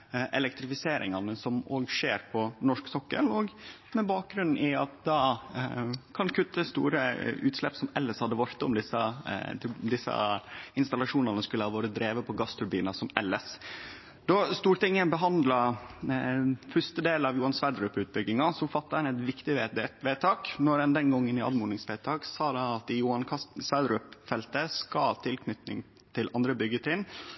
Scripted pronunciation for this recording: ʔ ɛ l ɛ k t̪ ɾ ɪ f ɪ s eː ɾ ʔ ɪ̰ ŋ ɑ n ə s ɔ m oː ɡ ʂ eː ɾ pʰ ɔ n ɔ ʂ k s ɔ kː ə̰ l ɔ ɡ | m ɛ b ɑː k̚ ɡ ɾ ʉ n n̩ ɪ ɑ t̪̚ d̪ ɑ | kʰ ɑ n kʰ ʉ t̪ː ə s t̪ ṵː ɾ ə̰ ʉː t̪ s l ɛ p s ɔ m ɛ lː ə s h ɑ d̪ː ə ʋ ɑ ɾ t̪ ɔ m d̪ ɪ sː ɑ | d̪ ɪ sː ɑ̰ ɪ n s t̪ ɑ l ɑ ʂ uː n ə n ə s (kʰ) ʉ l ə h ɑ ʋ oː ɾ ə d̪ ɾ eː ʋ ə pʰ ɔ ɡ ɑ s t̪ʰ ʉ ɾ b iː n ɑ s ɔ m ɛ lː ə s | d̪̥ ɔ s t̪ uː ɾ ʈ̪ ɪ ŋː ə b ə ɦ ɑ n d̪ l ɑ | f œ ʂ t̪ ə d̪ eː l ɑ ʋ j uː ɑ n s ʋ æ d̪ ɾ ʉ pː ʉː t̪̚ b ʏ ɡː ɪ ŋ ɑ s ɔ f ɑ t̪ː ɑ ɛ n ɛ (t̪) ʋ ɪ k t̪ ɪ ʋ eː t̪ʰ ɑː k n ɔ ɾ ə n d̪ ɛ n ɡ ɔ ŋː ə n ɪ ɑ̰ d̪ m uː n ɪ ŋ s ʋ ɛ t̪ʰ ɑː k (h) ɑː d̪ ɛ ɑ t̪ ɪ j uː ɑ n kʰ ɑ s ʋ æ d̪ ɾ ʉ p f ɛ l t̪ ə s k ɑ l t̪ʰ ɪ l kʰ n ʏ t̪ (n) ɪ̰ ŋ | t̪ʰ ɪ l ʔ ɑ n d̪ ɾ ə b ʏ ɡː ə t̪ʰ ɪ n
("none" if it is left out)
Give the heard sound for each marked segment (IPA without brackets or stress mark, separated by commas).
k, t̪, s, n